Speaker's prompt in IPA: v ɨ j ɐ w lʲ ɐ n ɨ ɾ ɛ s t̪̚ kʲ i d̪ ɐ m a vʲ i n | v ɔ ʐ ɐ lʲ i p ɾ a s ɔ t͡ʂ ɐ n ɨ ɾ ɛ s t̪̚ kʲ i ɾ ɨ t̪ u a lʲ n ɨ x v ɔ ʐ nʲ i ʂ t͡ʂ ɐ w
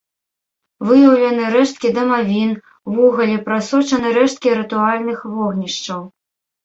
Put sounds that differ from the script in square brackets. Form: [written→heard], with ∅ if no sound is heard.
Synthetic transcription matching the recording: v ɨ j ɐ w lʲ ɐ n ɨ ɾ ɛ [s→ʂ] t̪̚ kʲ i d̪ ɐ m a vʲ i n | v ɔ [ʐ→ɣ] ɐ lʲ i p ɾ a s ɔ t͡ʂ ɐ n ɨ ɾ ɛ [s→ʂ] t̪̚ kʲ i ɾ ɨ t̪ u a lʲ n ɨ x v ɔ [ʐ→ɣ] nʲ i ʂ t͡ʂ ɐ w